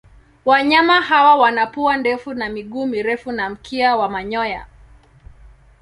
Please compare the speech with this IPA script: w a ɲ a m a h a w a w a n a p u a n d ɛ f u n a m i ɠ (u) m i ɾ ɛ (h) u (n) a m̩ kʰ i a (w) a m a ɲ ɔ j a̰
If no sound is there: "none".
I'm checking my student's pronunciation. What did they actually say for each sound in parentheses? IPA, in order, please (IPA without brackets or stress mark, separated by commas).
uː, f, n, w